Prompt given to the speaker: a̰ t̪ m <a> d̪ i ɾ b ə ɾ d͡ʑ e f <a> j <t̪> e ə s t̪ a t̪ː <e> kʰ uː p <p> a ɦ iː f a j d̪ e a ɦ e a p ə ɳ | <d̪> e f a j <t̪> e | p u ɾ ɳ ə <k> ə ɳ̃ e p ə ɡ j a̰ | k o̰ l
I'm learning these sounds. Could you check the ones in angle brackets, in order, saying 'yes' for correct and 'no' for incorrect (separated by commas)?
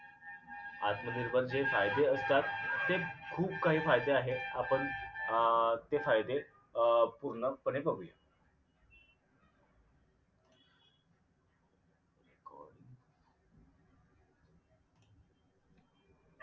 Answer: no, yes, no, yes, no, no, no, no